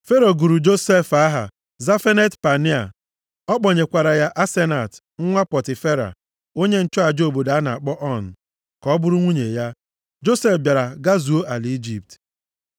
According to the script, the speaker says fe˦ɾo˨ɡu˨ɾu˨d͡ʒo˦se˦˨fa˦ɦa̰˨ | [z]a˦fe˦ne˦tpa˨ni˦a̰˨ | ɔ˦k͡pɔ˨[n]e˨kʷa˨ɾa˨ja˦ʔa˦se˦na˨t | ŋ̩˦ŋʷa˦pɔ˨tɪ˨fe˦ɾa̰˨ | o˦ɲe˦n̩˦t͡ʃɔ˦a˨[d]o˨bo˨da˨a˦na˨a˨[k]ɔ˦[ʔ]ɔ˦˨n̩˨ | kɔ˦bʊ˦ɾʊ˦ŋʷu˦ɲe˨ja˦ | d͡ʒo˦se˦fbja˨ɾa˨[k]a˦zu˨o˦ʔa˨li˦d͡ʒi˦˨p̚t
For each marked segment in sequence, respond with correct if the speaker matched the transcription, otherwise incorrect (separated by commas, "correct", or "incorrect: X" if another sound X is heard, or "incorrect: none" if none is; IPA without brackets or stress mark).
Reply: correct, incorrect: ɲ, incorrect: d͡ʒ, incorrect: k͡p, correct, incorrect: ɡ